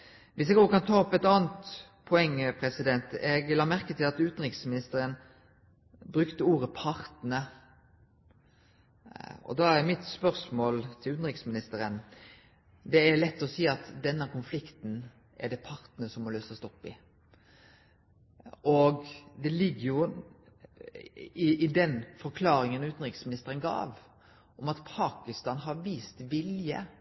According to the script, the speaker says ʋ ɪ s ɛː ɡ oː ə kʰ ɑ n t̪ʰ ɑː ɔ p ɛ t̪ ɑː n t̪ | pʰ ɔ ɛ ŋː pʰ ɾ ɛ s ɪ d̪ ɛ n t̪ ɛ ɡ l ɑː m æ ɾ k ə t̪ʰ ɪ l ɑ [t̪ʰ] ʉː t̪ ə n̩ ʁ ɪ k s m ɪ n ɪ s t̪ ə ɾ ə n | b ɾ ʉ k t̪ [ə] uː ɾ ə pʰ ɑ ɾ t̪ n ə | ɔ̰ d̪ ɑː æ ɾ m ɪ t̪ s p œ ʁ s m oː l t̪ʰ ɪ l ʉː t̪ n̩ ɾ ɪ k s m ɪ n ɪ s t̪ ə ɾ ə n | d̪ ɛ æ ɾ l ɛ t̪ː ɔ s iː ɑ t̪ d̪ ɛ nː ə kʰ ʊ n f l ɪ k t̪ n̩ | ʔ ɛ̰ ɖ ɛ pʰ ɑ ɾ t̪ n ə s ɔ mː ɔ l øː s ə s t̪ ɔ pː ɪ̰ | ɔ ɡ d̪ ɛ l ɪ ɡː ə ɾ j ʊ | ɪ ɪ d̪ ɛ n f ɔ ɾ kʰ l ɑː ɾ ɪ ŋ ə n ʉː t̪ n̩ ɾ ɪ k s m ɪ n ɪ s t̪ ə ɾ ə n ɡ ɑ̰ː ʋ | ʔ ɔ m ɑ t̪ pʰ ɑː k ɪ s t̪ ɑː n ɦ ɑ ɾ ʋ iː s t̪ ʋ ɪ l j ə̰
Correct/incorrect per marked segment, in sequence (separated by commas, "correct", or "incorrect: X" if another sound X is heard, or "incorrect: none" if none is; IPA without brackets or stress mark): incorrect: t̪, correct